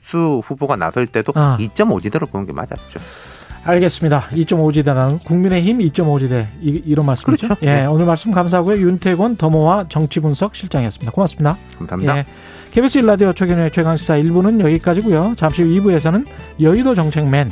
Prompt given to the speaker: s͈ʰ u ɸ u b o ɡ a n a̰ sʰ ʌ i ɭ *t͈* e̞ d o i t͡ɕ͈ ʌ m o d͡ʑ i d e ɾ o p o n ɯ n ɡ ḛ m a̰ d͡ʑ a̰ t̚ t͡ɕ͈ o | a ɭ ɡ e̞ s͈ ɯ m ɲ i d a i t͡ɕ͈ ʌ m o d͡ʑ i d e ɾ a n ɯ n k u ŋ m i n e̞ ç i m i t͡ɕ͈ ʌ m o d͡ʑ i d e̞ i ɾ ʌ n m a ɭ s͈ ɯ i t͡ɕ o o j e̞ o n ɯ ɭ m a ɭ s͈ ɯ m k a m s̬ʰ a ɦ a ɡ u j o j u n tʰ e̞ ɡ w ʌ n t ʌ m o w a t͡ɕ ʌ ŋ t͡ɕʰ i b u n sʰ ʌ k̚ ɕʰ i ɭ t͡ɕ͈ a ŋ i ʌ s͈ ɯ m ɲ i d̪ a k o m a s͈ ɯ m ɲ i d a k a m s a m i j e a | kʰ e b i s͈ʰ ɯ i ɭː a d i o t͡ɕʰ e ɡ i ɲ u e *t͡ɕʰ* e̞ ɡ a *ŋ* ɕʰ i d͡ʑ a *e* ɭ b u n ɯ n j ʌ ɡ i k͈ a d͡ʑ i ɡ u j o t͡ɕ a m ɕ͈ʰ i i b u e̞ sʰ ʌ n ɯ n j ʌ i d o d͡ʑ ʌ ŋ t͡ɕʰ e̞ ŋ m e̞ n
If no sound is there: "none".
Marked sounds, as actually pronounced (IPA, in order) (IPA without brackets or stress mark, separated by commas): t͈, t͡ɕʰ, ŋ, i